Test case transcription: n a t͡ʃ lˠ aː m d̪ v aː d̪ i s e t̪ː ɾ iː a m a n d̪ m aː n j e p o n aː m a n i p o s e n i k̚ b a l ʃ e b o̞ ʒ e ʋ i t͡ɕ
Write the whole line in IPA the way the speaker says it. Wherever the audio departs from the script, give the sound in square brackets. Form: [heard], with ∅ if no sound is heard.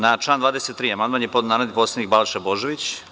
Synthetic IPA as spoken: n a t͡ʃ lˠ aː [n] d̪ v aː d̪ [e] s e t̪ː ɾ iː a m a n d̪ m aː n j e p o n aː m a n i p o s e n i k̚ b a l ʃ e b o̞ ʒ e ʋ i t͡ɕ